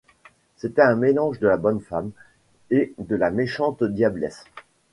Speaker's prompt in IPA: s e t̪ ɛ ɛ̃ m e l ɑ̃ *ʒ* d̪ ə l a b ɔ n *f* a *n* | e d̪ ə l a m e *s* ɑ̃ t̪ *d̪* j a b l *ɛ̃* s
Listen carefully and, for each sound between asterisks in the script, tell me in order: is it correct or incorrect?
correct, correct, incorrect: m, incorrect: ʃ, correct, incorrect: ɛ

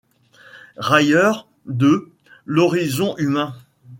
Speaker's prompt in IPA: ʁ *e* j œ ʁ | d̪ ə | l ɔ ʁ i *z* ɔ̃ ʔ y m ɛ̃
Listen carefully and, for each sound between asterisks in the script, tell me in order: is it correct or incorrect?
incorrect: a, correct

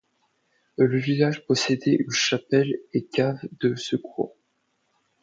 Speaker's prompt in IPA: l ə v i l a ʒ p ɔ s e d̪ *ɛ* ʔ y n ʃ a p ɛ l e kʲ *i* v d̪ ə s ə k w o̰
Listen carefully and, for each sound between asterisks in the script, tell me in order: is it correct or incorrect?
correct, incorrect: a

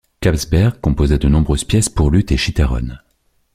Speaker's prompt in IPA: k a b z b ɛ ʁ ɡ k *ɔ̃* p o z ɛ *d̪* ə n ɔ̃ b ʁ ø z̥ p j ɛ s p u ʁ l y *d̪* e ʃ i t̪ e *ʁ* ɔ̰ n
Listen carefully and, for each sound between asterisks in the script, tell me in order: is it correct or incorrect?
correct, correct, incorrect: t̪, correct

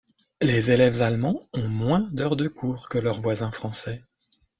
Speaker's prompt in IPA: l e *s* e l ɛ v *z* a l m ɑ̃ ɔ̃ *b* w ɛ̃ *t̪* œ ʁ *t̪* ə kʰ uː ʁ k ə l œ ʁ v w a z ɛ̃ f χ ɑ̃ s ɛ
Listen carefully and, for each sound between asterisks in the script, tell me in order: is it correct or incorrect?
incorrect: z, correct, incorrect: m, incorrect: d̪, incorrect: d̪

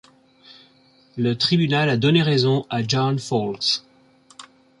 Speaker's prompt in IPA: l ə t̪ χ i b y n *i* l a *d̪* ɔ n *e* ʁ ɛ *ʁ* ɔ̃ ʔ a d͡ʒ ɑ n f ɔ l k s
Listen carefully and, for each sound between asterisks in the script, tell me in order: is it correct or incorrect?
incorrect: a, correct, correct, incorrect: z

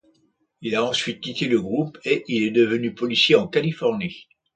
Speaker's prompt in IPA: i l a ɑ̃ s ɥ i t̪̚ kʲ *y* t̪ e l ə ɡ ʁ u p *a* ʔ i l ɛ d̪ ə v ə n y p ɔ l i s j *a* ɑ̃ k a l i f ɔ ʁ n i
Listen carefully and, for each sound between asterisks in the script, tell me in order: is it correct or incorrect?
incorrect: i, incorrect: e, incorrect: e

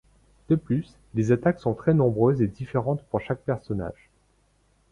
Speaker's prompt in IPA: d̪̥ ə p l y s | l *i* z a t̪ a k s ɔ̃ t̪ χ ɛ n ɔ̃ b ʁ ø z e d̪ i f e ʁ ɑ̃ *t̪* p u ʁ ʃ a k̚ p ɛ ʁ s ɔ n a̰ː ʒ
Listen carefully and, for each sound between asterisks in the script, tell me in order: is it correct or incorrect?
incorrect: e, correct

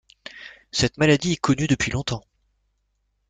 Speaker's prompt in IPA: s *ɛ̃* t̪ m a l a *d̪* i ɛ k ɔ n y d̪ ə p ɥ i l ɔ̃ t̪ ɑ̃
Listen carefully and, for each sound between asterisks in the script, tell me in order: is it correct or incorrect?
incorrect: ɛ, correct

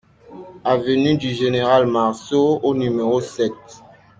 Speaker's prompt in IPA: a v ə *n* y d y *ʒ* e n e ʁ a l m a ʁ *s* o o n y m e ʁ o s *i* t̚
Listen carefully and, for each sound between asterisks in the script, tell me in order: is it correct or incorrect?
correct, correct, correct, incorrect: ɛ

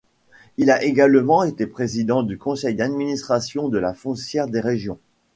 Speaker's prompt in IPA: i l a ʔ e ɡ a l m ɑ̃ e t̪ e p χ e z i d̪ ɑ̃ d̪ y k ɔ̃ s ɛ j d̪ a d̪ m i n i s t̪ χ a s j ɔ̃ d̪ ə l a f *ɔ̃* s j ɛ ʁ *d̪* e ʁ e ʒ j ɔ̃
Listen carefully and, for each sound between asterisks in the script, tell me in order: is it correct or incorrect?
correct, correct

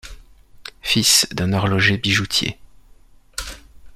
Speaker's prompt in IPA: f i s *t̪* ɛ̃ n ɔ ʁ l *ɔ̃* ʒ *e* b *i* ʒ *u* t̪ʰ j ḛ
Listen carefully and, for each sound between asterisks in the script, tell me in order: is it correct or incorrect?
incorrect: d̪, incorrect: ɔ, correct, correct, correct

